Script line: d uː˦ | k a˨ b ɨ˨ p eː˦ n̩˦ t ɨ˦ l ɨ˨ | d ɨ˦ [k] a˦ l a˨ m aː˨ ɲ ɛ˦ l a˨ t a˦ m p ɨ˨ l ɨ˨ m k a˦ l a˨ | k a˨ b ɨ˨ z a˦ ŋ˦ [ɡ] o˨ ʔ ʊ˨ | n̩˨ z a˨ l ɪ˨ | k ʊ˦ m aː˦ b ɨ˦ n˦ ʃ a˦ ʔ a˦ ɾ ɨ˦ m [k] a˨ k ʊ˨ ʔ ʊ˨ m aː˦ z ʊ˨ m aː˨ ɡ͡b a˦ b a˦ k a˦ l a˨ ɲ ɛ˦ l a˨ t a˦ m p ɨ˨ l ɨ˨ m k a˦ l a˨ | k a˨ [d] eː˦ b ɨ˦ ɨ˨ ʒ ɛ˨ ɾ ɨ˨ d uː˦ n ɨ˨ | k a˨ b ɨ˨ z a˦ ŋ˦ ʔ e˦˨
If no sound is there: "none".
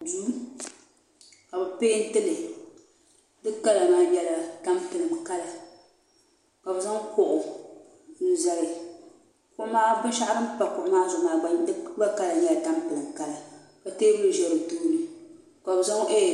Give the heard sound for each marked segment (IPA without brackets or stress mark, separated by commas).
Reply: k, k, p, t